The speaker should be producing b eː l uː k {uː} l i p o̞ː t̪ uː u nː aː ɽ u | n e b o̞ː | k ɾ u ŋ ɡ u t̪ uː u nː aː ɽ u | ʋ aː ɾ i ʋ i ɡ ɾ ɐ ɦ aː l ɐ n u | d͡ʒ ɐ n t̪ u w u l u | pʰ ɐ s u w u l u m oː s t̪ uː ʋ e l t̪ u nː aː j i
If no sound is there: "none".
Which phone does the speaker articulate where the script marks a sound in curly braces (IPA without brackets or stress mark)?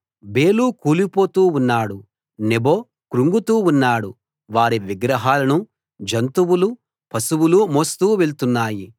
uː